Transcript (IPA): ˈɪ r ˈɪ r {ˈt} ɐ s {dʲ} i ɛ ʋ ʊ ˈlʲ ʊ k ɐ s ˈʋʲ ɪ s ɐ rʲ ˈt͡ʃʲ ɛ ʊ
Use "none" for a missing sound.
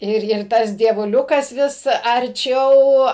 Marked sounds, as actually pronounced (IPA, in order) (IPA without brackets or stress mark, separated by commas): t, dʲ